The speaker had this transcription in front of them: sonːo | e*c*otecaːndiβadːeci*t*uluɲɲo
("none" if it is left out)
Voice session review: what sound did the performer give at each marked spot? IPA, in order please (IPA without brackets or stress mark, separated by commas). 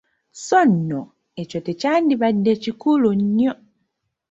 c, k